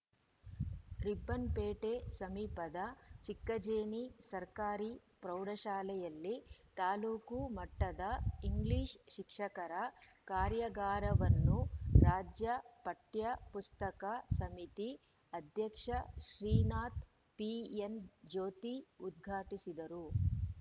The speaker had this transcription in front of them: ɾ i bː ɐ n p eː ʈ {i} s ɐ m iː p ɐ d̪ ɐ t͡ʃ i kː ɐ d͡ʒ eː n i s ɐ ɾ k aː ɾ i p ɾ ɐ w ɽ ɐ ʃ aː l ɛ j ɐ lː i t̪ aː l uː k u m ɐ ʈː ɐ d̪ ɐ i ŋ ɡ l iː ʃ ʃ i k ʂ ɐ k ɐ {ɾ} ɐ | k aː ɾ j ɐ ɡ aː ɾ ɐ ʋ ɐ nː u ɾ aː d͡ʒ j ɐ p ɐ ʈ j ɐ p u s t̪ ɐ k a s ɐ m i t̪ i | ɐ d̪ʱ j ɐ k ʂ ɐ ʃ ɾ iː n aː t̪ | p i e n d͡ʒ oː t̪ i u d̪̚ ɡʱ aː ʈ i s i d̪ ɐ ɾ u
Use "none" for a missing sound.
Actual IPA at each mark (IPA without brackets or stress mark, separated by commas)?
e, ɾ